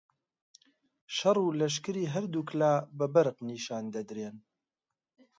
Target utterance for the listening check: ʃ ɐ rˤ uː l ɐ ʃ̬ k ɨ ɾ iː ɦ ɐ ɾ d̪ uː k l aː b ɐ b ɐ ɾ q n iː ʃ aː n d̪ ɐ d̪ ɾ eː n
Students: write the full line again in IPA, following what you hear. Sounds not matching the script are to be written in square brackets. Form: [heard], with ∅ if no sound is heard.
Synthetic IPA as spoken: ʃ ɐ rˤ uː l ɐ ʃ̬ k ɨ ɾ iː ɦ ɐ ɾ d̪ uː k l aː b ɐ b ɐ ɾ q n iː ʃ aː n d̪ ɐ d̪ ɾ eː n